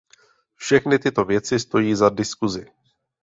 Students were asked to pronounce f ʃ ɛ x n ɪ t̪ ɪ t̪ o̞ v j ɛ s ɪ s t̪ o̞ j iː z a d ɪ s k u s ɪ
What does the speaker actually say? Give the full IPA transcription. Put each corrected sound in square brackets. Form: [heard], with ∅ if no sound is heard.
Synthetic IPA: f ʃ ɛ x n ɪ t̪ ɪ t̪ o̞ v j ɛ [t͡s] ɪ s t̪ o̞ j iː z a d ɪ s k u [z] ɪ